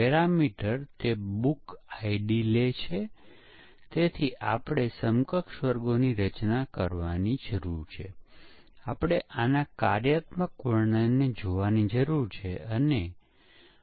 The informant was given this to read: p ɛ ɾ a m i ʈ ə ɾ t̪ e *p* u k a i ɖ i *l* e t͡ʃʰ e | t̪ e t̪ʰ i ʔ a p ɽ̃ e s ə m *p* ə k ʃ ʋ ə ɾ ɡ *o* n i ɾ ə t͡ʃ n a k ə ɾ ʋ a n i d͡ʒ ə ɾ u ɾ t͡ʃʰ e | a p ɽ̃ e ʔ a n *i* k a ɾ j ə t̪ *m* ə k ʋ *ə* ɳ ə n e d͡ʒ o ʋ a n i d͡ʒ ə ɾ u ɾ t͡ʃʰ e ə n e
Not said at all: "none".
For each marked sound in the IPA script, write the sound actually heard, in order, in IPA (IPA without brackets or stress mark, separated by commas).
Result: b, l, k, o, a, m, ə